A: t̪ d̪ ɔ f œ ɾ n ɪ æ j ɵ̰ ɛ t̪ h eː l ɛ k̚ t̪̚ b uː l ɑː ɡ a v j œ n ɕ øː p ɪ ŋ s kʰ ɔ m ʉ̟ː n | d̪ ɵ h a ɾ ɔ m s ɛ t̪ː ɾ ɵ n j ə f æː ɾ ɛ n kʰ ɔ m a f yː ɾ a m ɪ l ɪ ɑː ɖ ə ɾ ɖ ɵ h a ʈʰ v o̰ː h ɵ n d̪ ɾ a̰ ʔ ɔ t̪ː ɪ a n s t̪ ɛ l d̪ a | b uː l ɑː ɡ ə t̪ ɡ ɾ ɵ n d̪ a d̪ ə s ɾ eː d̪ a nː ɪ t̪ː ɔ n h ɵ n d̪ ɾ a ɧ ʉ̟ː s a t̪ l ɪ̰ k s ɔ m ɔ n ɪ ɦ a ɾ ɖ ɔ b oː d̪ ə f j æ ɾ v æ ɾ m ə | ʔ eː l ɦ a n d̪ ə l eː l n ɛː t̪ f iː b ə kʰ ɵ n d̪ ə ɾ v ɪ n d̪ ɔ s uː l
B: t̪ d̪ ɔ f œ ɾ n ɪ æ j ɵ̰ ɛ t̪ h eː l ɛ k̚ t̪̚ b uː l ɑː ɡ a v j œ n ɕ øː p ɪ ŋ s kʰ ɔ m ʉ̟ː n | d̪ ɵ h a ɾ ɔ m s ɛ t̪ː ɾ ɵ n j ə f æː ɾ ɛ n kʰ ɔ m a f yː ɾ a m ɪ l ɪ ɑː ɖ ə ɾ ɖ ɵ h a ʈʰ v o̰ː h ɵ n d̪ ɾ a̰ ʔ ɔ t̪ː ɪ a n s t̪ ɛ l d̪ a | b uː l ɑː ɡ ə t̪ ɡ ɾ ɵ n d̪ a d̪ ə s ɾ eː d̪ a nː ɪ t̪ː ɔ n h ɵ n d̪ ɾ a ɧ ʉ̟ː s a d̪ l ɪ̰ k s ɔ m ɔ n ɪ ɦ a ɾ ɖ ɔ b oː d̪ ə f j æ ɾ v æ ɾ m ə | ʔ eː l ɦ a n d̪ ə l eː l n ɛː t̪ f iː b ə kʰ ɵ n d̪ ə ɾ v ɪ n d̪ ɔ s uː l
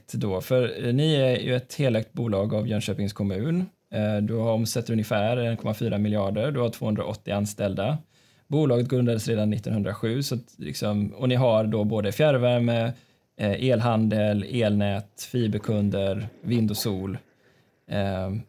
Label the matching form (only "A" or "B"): A